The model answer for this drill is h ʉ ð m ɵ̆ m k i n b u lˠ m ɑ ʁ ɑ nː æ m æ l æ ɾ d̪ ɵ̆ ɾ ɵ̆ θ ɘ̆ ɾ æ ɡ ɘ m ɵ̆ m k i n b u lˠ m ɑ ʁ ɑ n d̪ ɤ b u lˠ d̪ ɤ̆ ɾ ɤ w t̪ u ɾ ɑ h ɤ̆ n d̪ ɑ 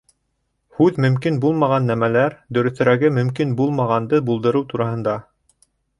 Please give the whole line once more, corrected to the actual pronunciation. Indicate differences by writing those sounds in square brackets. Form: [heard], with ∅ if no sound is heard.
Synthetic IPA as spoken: h ʉ ð m ɵ̆ m k i n b u lˠ m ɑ ʁ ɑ nː æ m æ l æ ɾ d̪ ɵ̆ ɾ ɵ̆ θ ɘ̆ ɾ æ ɡ ɘ m ɵ̆ m k i n b u lˠ m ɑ ʁ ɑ n d̪ ɤ b u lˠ d̪ ɤ̆ ɾ ɤ w t̪ u ɾ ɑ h ɤ̆ n d̪ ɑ